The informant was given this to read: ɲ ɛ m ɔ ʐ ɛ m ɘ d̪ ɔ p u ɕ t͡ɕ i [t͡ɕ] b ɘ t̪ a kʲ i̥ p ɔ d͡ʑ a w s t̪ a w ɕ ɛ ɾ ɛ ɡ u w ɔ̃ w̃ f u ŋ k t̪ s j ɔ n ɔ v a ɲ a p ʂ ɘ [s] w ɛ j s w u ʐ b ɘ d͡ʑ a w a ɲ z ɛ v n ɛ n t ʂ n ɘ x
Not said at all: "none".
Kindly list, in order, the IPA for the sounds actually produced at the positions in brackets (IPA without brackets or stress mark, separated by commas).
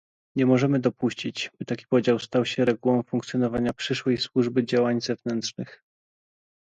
t͡ɕ, ʂ